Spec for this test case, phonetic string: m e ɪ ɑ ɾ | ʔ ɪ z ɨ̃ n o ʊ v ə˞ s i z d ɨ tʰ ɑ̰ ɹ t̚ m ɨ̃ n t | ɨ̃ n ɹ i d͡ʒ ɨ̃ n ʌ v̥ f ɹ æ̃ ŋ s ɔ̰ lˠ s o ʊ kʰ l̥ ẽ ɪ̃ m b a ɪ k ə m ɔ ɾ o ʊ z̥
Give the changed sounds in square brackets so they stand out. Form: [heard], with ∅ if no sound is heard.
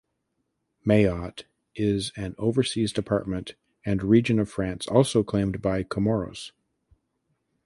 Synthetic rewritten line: m e ɪ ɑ ɾ | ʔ ɪ z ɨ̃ n o ʊ v ə˞ s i z d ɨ [pʰ] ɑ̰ ɹ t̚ m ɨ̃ n t | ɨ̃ n ɹ i d͡ʒ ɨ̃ n ʌ v̥ f ɹ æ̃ [n] s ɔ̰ lˠ s o ʊ kʰ l̥ ẽ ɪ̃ m b a ɪ [kʰ] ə m ɔ [ɹ] o ʊ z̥